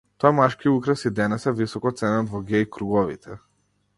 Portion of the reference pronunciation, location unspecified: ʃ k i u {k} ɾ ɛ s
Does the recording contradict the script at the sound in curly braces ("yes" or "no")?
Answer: no